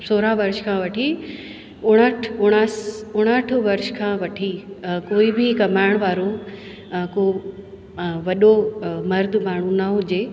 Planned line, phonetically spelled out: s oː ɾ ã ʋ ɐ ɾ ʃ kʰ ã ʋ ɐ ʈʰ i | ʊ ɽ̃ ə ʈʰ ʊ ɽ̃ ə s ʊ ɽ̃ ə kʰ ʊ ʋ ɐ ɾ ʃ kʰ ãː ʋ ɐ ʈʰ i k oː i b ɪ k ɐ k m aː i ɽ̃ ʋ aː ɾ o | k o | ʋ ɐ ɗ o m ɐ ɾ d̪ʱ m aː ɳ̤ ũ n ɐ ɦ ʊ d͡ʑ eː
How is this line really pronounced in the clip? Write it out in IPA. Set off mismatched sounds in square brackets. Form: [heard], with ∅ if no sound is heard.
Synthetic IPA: s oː ɾ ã ʋ ɐ ɾ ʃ kʰ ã ʋ ɐ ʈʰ i | ʊ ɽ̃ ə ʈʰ ʊ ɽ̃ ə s ʊ ɽ̃ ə [ʈʰ] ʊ ʋ ɐ ɾ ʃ kʰ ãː ʋ ɐ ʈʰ i k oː i b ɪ k ɐ [∅] m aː [ɪ] ɽ̃ ʋ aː ɾ o | k o | ʋ ɐ ɗ o m ɐ ɾ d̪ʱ m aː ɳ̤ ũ n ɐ ɦ ʊ d͡ʑ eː